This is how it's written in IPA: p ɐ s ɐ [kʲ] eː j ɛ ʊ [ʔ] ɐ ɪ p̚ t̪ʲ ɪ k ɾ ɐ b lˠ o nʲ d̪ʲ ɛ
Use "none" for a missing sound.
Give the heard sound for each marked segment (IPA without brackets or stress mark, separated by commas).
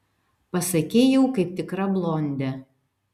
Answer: kʲ, k